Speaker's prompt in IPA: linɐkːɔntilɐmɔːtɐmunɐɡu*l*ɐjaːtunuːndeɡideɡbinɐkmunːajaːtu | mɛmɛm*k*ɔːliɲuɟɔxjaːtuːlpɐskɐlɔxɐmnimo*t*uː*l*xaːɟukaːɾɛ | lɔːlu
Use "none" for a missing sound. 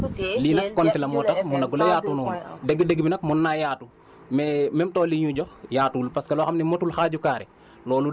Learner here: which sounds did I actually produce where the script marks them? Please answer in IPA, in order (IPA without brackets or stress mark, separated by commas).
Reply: l, t, t, l